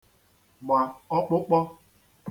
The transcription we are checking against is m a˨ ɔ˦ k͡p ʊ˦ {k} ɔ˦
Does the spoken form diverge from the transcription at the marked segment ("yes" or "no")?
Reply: yes